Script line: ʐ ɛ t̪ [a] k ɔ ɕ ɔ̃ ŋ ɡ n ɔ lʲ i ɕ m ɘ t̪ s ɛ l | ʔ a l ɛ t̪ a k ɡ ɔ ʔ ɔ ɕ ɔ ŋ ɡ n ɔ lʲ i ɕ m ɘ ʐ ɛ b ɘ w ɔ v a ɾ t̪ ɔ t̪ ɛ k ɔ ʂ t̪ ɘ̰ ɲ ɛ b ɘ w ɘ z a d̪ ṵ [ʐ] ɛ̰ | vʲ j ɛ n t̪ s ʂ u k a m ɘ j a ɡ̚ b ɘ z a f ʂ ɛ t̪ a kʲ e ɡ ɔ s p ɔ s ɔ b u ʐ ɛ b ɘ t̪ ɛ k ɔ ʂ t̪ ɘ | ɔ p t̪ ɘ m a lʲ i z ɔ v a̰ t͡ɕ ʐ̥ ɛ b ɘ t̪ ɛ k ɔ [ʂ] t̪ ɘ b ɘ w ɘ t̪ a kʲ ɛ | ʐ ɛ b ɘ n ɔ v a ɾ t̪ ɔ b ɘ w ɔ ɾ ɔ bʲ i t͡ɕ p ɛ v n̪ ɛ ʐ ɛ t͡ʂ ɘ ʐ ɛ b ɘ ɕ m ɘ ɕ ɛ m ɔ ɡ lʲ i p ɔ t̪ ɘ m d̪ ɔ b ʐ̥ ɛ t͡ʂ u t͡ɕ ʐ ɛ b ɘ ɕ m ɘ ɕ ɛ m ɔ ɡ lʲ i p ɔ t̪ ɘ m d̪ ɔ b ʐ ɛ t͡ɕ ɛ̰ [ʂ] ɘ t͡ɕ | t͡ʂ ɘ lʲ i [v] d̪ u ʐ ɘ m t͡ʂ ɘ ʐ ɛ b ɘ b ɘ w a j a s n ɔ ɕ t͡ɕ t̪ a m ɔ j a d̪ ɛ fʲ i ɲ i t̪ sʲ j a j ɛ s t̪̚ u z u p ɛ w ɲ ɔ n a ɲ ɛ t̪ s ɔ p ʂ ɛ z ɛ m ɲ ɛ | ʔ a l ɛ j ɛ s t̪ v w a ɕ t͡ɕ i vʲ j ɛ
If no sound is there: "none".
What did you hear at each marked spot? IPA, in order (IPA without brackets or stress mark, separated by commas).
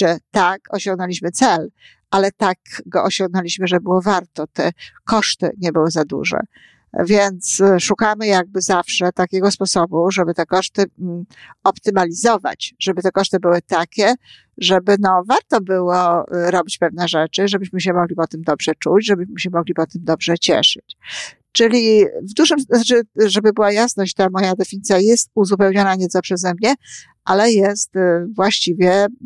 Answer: a, ʐ, ʂ, ʂ, v